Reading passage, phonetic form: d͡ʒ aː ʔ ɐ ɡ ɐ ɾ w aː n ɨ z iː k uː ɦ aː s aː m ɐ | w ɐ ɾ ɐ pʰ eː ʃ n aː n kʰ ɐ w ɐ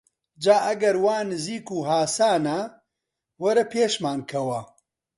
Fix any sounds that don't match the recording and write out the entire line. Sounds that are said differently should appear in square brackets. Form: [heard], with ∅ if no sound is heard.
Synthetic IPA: d͡ʒ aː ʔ ɐ ɡ ɐ ɾ w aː n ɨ z iː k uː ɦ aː s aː [n] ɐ | w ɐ ɾ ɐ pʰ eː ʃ [m] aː n kʰ ɐ w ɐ